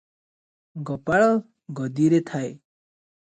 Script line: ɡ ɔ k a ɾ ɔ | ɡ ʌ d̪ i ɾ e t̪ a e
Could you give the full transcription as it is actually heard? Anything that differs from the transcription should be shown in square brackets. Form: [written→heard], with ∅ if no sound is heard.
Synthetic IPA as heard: ɡ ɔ [k→p] a [ɾ→ɭ] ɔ | ɡ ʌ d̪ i ɾ e [t̪→t̪ʰ] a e